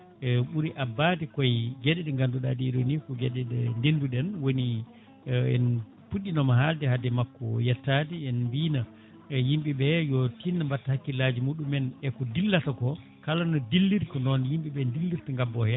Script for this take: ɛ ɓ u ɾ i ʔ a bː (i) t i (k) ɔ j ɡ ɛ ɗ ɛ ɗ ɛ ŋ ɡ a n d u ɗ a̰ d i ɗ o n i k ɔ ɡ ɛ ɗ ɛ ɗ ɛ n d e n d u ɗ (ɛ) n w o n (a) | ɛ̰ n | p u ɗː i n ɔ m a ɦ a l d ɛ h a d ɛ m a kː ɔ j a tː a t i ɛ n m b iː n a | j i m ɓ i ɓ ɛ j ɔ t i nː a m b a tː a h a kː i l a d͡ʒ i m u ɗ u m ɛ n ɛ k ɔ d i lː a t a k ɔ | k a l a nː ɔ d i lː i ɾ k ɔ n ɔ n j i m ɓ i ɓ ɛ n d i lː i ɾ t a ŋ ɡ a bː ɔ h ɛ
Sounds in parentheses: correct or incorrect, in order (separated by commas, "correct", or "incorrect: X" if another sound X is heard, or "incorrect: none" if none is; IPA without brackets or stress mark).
incorrect: a, correct, correct, incorrect: i